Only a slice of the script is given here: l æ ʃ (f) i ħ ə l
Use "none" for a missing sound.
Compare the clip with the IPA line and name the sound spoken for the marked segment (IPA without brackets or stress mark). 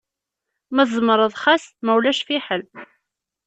f